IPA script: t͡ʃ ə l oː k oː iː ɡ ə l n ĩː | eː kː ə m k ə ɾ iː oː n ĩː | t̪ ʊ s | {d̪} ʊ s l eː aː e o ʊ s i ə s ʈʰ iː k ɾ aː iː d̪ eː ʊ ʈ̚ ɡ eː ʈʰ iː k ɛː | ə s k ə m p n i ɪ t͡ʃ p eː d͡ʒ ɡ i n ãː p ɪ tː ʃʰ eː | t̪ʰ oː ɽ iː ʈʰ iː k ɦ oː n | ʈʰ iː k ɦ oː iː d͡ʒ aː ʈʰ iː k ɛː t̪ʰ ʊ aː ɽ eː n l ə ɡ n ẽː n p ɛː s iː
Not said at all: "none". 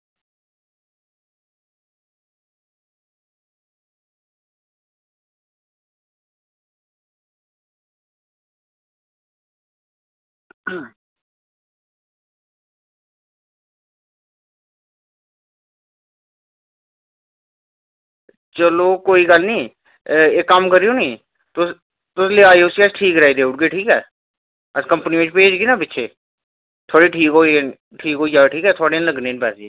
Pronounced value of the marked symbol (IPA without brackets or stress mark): t̪